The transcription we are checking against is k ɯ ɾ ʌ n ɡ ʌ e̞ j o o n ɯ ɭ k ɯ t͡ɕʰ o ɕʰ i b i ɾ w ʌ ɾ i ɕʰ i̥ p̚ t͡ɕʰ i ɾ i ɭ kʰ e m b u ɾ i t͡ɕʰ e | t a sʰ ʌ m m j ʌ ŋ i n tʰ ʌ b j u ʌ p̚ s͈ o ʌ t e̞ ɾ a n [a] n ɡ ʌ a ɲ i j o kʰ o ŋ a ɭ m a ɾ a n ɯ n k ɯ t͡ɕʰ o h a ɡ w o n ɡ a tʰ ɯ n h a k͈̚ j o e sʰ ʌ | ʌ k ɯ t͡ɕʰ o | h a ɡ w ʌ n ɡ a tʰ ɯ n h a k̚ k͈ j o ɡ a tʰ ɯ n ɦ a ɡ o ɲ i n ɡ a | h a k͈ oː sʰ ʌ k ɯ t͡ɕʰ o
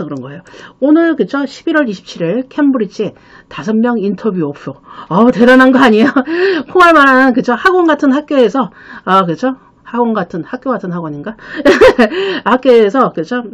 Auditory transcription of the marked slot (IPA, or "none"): a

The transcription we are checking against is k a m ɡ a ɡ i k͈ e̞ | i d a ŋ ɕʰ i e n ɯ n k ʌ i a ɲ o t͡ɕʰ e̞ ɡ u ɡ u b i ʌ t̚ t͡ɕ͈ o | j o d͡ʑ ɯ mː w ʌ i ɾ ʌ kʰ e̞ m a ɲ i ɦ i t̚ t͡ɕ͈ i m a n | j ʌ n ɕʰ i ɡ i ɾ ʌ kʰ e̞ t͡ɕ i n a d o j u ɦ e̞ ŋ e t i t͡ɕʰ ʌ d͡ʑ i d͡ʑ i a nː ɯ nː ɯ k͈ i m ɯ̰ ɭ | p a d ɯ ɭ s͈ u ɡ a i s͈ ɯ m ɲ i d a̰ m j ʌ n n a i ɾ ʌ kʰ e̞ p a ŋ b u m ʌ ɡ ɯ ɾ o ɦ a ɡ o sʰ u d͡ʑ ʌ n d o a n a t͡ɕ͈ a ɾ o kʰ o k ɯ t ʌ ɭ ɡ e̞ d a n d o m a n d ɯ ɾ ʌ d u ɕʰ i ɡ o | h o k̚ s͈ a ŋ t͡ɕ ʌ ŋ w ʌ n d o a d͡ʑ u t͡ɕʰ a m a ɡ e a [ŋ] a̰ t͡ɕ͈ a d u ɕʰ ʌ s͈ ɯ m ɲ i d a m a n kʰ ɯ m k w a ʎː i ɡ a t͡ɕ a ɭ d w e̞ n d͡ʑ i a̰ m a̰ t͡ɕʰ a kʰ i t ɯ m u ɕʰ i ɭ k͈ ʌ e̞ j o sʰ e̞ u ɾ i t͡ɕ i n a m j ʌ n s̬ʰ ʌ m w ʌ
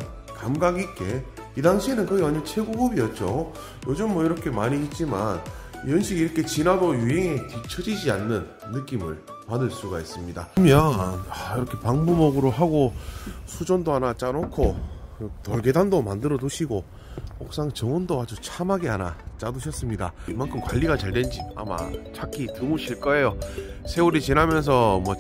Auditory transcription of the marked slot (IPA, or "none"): n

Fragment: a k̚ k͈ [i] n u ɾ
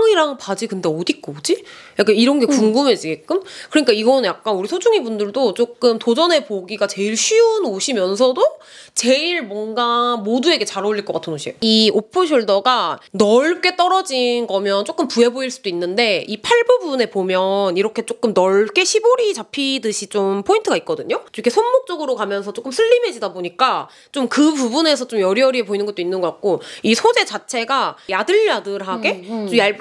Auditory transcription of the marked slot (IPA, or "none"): a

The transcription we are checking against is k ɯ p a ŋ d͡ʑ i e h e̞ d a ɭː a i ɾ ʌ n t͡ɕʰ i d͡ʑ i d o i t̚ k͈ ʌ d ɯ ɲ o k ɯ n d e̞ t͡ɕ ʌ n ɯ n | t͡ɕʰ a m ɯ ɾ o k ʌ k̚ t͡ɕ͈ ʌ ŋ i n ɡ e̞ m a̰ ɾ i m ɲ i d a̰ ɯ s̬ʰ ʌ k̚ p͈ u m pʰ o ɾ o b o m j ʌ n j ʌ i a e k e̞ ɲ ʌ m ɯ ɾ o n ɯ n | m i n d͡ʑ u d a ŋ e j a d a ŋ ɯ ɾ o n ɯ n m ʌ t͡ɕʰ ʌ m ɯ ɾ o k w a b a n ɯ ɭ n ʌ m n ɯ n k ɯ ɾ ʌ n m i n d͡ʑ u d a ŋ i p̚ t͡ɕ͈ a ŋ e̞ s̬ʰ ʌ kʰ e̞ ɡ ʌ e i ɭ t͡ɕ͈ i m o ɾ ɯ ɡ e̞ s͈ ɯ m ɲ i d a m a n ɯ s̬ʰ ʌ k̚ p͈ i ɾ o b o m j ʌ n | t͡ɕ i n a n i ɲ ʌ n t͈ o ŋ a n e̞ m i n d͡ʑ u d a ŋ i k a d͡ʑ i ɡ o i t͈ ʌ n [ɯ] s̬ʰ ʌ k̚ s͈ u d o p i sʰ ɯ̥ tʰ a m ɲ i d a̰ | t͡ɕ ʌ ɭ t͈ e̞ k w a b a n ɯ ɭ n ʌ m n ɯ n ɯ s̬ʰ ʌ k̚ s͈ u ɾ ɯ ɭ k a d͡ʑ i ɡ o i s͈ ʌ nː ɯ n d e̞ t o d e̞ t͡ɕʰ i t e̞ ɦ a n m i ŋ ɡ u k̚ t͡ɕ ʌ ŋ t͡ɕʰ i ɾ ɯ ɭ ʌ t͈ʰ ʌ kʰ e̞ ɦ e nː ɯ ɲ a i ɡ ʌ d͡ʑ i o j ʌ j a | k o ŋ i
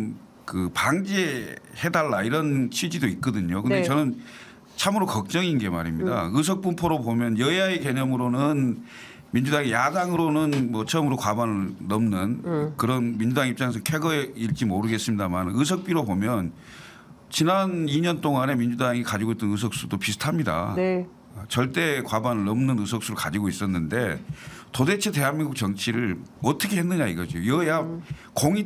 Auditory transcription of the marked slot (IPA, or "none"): ɯ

